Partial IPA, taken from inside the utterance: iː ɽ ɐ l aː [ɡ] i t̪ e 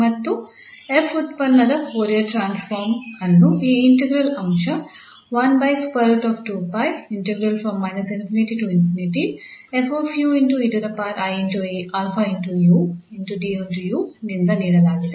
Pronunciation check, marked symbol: correct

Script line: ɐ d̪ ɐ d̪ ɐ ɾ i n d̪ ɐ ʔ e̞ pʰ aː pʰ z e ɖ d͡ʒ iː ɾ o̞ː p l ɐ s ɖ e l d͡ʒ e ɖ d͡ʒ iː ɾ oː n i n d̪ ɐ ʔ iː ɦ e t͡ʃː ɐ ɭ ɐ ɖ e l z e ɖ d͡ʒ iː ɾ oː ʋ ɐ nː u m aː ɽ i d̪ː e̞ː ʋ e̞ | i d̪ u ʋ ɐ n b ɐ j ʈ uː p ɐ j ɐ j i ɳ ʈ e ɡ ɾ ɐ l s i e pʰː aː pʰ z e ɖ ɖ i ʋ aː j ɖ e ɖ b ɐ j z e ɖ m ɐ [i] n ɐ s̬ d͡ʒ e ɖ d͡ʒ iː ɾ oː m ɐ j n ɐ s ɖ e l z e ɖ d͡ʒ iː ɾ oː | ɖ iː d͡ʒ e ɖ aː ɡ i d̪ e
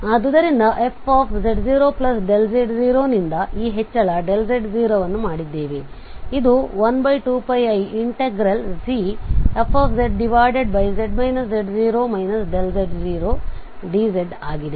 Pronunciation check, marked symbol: incorrect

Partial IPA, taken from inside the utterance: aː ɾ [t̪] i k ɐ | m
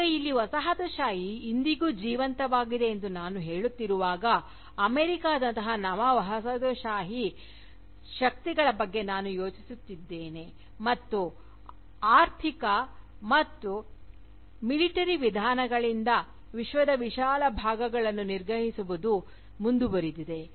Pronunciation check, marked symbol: incorrect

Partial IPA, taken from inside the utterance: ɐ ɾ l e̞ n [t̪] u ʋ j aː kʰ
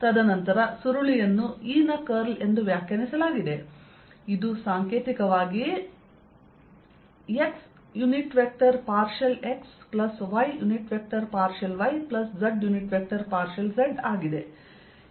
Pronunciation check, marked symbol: incorrect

